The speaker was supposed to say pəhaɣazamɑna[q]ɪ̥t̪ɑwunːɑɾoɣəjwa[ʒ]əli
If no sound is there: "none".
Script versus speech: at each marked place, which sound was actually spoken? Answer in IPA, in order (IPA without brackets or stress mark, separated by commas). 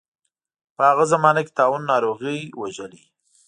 k, ʒ